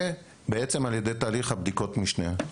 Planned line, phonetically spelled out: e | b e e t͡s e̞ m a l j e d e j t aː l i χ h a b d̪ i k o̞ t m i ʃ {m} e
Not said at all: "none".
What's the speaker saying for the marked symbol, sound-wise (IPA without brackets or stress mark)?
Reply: n